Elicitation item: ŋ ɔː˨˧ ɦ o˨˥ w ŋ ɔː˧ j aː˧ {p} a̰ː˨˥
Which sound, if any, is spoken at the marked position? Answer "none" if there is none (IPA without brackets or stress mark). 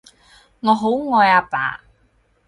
p